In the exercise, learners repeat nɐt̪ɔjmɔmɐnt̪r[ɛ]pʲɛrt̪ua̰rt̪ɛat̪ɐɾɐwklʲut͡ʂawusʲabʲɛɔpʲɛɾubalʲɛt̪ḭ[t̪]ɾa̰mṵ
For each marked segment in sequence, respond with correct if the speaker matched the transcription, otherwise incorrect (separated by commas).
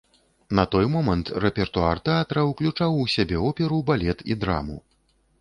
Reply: correct, incorrect